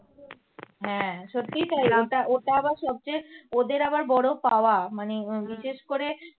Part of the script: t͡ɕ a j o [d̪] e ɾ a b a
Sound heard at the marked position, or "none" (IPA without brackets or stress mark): d̪